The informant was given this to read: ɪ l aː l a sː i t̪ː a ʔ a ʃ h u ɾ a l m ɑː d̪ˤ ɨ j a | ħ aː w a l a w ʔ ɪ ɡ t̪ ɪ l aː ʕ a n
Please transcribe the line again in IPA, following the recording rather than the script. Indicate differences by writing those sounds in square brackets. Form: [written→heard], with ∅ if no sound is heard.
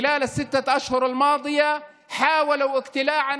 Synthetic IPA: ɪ l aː l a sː [i→ɪ] t̪ː a ʔ a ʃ h [u→ʊ] ɾ a l m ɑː d̪ˤ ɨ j a | ħ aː w a l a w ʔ ɪ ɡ t̪ ɪ l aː ʕ a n

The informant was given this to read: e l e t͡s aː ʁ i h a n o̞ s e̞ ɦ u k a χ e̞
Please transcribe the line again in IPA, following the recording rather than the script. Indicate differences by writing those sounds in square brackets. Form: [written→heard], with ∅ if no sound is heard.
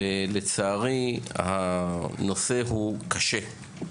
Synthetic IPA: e l e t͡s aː ʁ i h a n o̞ s e̞ ɦ u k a [χ→ʃ] e̞

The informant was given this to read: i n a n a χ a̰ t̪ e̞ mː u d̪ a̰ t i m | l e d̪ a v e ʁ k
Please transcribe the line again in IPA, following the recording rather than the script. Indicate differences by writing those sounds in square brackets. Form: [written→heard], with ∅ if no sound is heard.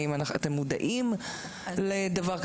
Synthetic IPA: i [n→m] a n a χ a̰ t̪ e̞ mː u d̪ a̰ [t→ʔ] i m | l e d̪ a v [e→a] ʁ k

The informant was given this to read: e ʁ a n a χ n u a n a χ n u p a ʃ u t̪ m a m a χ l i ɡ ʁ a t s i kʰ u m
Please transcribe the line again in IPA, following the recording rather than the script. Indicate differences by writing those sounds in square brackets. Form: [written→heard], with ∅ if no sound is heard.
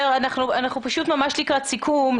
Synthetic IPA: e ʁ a n a χ n u a n a χ n u p a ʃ u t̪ m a m a [χ→ʃ] l i [ɡ→k] ʁ a t s i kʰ u m

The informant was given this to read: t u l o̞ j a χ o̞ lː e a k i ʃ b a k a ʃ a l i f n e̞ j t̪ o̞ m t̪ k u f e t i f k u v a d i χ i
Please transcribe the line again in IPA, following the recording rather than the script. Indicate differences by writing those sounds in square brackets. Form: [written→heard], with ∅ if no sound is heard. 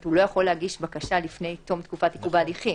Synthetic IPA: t u l o̞ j a χ o̞ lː e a [k→ɡ] i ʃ b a k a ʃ a l i f n e̞ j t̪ o̞ m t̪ k u f [e→a] t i [f→∅] k u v a d i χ i

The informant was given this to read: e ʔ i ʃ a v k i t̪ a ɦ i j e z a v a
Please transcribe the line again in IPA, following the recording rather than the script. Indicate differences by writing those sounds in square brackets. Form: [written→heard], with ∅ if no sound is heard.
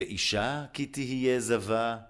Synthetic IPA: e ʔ i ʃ a [v→∅] k i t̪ [a→i] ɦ i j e z a v a

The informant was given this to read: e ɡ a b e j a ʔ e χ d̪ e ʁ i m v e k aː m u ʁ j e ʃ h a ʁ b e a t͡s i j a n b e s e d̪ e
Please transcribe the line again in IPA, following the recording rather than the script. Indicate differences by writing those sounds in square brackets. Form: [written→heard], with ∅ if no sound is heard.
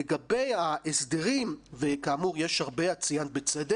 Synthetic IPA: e ɡ a b e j a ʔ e [χ→s] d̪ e ʁ i m v e k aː m u ʁ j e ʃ h a ʁ b e a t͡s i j a n b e [s→t͡s] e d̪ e

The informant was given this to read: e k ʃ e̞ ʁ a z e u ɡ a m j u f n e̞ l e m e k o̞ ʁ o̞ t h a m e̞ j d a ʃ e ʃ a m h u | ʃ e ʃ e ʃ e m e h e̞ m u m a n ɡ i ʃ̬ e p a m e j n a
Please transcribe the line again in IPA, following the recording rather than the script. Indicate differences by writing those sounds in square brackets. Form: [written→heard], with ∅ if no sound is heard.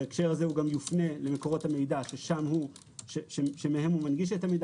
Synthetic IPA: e k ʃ e̞ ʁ a z e u ɡ a m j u f n e̞ l e m e k o̞ ʁ o̞ t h a m e̞ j d a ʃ e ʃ a m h u | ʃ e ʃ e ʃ e m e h e̞ m u m a n ɡ i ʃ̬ e [p→t] a m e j [n→d] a

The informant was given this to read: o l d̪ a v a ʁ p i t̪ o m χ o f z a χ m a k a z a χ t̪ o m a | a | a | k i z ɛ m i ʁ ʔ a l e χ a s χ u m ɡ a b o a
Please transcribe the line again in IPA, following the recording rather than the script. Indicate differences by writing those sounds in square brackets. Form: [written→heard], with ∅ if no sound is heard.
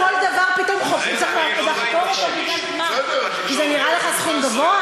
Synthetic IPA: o l d̪ a v a ʁ p i t̪ o m χ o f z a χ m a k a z a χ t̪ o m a | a | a | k i z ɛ [m→n] i ʁ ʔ a l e χ a s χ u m ɡ a [b→v] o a

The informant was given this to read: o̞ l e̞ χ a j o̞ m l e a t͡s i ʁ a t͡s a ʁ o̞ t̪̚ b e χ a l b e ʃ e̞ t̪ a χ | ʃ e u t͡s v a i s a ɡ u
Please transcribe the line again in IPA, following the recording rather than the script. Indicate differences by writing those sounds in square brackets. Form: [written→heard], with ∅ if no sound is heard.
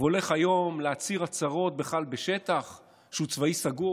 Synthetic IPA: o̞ l e̞ χ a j o̞ m l e a t͡s i ʁ a t͡s a ʁ o̞ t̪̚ b e χ a l b e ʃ e̞ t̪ a χ | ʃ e u t͡s v a i s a ɡ u

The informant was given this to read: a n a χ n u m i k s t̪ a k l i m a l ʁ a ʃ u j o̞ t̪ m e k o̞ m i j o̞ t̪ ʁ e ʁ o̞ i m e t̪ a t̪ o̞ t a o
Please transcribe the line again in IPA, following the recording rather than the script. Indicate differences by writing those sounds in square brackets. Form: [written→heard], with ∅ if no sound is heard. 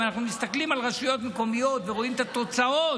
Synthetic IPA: a n a χ n u m i [k→∅] s t̪ a k l i m a l ʁ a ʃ u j o̞ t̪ m e k o̞ m i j o̞ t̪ [ʁ→v] e ʁ o̞ i m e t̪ a t̪ o̞ [t→t͡s] a o

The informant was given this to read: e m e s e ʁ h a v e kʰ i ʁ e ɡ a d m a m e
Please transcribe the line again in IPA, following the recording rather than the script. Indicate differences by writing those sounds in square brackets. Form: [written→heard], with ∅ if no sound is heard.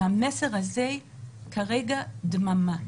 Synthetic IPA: [e→a] m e s e ʁ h a [v→z] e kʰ [i→a] ʁ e ɡ a d m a m [e→a]

